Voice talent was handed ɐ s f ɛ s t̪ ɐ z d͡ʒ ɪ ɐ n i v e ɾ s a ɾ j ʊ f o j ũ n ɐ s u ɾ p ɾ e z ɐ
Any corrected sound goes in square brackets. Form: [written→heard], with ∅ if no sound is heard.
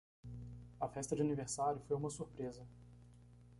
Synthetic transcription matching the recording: ɐ [s→∅] f ɛ s t̪ ɐ [z→∅] d͡ʒ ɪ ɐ n i v e ɾ s a ɾ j ʊ f o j ũ [n→m] ɐ s u ɾ p ɾ e z ɐ